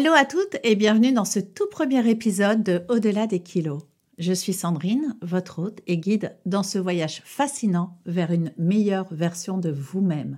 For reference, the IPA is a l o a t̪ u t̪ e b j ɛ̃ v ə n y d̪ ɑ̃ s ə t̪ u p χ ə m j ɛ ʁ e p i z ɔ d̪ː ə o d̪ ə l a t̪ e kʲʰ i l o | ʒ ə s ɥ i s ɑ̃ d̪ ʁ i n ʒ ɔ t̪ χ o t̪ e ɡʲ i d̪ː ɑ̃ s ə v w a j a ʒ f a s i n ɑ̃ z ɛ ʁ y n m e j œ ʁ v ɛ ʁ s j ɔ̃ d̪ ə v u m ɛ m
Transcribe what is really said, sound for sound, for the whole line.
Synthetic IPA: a l o a t̪ u t̪ e b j ɛ̃ v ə n y d̪ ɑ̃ s ə t̪ u p χ ə m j ɛ ʁ e p i z ɔ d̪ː ə o d̪ ə l a d̪ e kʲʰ i l o | ʒ ə s ɥ i s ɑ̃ d̪ ʁ i n v ɔ t̪ χ o t̪ e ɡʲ i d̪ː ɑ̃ s ə v w a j a ʒ f a s i n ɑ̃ v ɛ ʁ y n m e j œ ʁ v ɛ ʁ s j ɔ̃ d̪ ə v u m ɛ m